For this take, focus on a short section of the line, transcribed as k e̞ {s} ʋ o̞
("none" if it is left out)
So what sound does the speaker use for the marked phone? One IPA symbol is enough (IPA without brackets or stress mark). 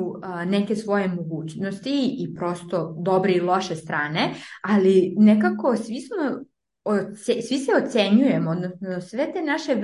s